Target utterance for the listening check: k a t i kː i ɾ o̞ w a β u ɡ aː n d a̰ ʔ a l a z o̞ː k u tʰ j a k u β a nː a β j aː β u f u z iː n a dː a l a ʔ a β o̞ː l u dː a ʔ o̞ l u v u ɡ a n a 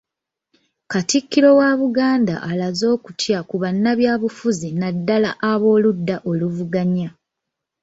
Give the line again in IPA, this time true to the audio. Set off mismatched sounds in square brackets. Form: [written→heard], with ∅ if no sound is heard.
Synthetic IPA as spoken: k a t i kː i ɾ o̞ w a β u ɡ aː n d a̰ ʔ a l a z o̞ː k u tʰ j a k u β a nː a β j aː β u f u z [iː→i] n a dː a l a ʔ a β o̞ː l u dː a ʔ o̞ l u v u ɡ a [n→ɲ] a